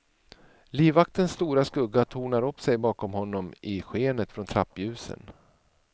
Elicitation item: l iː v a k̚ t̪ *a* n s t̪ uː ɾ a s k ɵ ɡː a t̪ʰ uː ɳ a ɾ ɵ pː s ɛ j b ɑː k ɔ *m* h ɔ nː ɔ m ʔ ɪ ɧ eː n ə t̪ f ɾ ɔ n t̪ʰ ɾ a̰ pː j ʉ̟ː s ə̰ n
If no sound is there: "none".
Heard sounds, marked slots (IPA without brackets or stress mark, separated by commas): ə, m